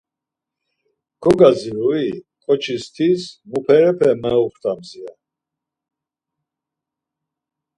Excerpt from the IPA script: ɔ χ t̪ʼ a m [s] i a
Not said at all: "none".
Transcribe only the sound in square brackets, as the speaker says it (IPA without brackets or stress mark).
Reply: z